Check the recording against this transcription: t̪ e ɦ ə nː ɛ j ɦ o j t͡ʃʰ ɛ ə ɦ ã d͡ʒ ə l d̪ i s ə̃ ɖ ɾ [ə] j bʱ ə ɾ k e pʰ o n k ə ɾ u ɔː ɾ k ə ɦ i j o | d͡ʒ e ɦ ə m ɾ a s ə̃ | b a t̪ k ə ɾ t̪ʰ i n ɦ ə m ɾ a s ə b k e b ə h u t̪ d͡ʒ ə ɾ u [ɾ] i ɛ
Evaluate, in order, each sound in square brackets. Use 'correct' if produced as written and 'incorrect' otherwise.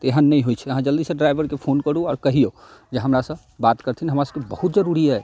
incorrect, correct

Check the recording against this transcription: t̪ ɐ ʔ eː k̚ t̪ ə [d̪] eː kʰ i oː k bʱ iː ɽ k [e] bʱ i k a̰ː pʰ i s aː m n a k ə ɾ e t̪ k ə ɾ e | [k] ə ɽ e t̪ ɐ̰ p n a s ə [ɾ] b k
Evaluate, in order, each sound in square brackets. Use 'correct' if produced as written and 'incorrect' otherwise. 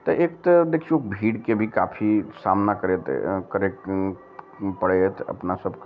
correct, correct, incorrect, incorrect

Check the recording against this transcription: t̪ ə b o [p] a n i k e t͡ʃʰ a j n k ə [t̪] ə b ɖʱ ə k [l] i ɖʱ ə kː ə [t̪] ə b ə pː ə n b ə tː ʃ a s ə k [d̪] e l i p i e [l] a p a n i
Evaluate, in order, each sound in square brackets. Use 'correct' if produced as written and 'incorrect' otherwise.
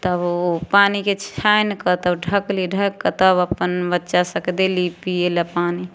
correct, correct, correct, correct, correct, correct

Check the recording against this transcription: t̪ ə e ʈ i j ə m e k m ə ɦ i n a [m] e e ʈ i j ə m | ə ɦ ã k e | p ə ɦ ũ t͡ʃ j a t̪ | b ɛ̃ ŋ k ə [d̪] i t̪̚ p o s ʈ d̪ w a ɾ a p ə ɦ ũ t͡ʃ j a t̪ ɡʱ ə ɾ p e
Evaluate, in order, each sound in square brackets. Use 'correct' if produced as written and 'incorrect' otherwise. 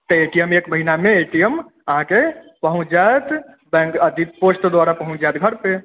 correct, correct

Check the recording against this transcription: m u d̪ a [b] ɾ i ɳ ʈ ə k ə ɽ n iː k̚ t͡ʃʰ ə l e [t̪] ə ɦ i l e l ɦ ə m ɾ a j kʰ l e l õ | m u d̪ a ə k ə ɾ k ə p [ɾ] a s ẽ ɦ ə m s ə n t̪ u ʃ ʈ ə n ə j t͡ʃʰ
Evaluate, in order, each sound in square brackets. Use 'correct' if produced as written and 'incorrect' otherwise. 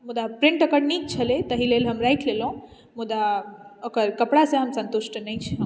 incorrect, correct, incorrect

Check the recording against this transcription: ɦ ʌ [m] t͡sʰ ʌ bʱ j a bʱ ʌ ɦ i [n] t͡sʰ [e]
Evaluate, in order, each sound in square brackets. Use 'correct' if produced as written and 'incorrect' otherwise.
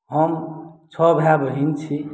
correct, correct, incorrect

